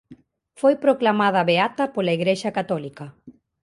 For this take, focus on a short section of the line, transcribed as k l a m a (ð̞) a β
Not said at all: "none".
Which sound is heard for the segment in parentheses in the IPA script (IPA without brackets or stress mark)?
ð̞